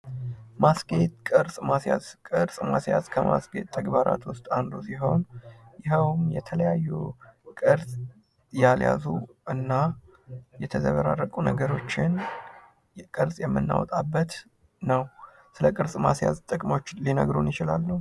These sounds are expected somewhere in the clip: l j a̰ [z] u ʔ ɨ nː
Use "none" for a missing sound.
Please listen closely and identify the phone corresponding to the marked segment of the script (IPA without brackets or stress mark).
z